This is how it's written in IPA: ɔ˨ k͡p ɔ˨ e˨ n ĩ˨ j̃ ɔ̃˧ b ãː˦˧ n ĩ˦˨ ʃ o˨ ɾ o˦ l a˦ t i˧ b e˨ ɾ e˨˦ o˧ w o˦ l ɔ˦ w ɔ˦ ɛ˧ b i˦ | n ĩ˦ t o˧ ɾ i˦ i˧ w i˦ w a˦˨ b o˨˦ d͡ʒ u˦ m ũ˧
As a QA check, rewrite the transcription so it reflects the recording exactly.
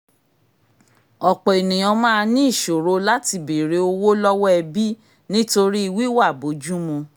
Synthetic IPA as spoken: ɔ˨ k͡p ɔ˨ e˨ n ĩ˨ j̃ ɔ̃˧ m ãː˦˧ n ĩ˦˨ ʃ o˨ ɾ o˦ l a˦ t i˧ b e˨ ɾ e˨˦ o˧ w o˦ l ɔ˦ w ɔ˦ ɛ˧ b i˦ | n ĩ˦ t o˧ ɾ i˦ i˧ w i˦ w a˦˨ b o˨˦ d͡ʒ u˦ m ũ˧